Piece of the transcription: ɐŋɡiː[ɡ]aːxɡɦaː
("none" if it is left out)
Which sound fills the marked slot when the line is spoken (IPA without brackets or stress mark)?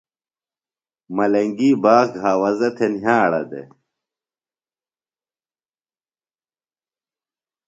b